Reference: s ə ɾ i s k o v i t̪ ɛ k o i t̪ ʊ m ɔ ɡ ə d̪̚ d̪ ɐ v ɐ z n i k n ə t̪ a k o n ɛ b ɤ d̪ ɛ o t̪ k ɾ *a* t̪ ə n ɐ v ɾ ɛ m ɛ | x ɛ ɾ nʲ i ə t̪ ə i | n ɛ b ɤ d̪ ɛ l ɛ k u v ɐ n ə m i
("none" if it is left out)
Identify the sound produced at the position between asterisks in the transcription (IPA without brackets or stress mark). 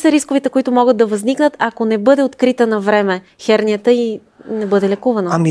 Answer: i